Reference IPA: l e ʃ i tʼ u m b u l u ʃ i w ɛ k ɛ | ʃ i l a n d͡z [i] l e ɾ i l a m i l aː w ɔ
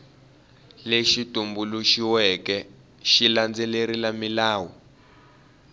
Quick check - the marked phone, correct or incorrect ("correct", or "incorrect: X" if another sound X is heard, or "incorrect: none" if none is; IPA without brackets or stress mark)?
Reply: incorrect: ɛ